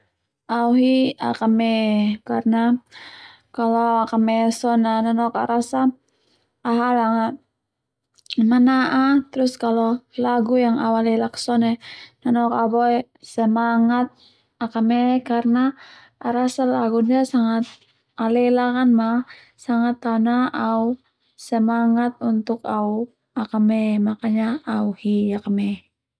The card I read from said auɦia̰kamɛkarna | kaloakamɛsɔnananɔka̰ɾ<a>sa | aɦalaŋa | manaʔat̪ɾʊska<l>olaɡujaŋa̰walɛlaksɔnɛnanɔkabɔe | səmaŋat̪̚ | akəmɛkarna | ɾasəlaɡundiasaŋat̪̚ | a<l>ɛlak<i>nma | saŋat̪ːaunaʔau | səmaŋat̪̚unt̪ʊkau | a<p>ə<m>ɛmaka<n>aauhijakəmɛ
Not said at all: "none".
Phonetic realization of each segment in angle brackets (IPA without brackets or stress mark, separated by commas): a, l, l, a, k, m, ɲ